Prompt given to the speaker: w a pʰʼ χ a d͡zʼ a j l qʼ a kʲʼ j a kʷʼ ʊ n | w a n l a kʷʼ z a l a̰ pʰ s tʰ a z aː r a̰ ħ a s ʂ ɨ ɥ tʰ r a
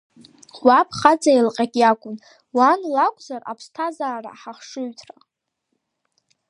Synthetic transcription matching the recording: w a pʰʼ χ a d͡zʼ a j l qʼ a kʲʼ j a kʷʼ ʊ n | w a n l a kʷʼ z a r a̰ pʰ s tʰ a z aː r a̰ ħ a χ ʂ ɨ ɥ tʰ r a